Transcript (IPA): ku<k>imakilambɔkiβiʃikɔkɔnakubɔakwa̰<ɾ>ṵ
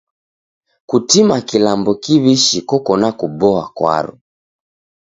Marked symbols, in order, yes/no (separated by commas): no, yes